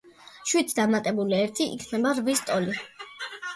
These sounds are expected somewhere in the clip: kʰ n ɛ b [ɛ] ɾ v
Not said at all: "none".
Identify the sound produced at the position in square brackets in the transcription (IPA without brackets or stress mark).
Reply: a